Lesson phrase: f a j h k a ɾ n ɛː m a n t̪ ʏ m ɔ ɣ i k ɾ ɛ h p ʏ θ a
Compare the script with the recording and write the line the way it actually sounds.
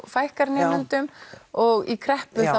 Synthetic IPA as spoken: f a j h k a ɾ n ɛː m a n t̪ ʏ m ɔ ɣ i kʰ ɾ ɛ h p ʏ θ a